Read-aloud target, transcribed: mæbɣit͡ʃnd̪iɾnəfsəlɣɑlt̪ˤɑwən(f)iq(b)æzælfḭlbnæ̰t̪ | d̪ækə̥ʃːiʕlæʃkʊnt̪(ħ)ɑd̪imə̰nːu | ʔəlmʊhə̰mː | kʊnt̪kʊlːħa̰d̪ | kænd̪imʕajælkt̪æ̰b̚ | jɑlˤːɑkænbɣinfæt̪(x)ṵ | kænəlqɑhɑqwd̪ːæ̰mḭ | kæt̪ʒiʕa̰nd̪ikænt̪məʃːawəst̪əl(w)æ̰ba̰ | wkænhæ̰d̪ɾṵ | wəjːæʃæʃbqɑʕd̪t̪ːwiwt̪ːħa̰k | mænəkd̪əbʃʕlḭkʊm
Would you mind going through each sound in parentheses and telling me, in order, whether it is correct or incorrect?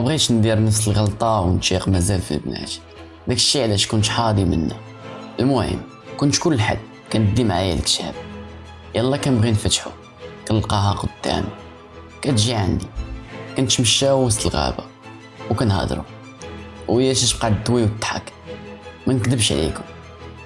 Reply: incorrect: ʃ, incorrect: m, correct, incorrect: ħ, incorrect: ɣ

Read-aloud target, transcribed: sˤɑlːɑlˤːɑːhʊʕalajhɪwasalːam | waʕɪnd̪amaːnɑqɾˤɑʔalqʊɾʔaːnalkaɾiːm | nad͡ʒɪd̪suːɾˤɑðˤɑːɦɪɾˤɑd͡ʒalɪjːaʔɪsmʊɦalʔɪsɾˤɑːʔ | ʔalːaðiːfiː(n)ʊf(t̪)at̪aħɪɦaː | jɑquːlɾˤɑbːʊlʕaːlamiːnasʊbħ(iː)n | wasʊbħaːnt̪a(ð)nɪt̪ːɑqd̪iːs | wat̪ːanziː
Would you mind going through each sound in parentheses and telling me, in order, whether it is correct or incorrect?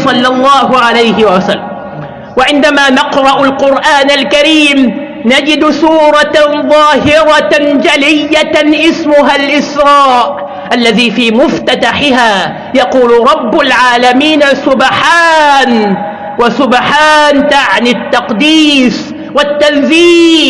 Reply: incorrect: m, correct, incorrect: aː, incorrect: ʕ

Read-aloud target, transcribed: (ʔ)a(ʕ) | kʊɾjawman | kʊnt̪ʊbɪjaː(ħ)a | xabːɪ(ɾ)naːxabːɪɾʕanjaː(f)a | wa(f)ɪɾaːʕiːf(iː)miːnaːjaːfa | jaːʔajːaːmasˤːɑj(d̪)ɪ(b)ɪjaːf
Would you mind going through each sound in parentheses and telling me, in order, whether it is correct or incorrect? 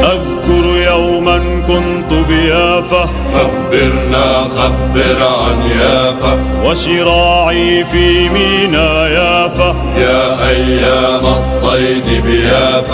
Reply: correct, incorrect: ð, incorrect: f, correct, correct, incorrect: ʃ, correct, correct, correct

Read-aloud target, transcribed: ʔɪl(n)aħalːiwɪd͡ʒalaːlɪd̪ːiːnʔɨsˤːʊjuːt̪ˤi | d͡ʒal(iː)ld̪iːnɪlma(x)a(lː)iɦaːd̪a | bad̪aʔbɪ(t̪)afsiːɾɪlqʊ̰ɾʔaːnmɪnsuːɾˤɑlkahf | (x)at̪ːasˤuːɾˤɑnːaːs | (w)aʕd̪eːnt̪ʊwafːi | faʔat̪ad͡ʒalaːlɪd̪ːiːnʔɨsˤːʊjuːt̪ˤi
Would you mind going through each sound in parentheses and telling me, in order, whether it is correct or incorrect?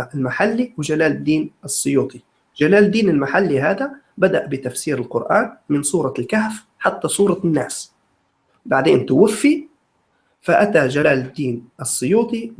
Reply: incorrect: m, incorrect: aː, incorrect: ħ, correct, correct, incorrect: ħ, incorrect: b

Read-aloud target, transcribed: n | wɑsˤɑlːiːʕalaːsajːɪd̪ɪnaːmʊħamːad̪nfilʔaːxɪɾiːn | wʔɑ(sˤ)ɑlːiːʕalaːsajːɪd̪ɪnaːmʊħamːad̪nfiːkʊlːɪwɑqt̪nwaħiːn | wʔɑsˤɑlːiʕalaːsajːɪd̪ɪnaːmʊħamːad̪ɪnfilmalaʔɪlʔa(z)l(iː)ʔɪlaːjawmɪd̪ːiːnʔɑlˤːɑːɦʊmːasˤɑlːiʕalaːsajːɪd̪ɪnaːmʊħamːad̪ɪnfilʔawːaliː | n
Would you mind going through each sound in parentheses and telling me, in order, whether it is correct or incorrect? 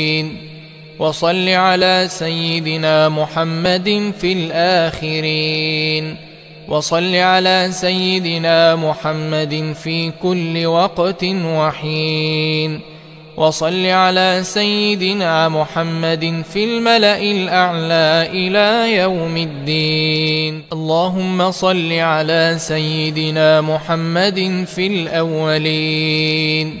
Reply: correct, incorrect: ʕ, incorrect: aː

